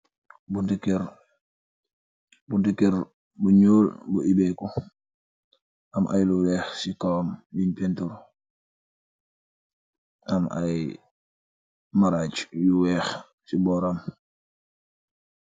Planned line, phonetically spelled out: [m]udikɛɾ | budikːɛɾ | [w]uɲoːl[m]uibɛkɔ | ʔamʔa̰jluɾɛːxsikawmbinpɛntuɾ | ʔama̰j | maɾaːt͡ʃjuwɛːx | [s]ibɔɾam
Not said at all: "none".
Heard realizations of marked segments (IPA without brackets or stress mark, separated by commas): b, b, b, s